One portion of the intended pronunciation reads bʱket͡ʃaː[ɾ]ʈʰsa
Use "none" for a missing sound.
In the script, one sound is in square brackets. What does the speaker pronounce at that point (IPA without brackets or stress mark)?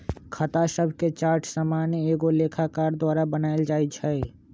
ɾ